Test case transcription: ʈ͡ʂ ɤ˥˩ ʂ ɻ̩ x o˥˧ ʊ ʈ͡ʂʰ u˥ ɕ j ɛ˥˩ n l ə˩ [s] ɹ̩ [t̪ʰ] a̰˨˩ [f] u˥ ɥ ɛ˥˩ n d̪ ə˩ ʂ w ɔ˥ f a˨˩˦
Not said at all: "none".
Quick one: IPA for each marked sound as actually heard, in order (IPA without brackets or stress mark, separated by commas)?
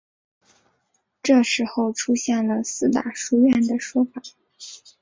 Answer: s, t̪, ʂ